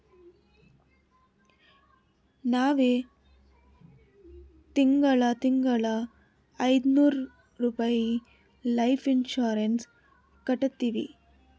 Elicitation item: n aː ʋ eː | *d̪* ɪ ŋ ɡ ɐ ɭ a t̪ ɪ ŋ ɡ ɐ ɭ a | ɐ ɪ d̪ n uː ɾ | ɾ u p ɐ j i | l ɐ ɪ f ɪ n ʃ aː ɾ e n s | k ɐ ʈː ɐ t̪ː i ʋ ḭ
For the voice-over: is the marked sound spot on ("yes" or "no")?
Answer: no